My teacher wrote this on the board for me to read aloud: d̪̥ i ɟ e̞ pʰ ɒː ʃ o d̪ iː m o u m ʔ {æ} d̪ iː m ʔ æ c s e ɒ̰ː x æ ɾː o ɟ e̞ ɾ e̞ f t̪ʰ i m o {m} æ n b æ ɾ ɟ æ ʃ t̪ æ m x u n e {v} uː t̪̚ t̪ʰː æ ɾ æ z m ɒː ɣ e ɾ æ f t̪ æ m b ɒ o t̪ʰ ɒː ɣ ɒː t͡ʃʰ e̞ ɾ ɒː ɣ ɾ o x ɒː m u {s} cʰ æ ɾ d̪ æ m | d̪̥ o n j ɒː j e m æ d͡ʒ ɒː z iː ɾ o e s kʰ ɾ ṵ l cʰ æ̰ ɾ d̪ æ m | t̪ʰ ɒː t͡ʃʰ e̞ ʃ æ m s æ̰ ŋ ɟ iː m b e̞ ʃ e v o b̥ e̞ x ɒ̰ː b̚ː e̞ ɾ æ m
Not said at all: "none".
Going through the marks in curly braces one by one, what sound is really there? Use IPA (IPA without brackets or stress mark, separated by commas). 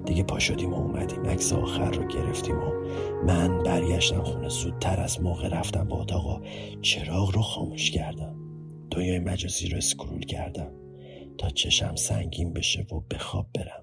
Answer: æ, m, z, ʃ